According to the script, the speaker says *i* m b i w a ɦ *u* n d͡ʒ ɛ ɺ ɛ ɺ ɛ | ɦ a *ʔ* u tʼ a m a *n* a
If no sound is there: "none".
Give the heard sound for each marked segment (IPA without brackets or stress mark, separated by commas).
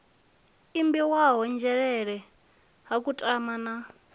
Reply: i, ɔ, k, n